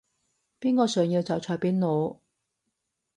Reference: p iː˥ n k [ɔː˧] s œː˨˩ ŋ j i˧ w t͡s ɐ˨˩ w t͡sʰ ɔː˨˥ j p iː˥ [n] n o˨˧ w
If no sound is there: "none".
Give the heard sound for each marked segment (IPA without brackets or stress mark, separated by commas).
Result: ɔː˧, n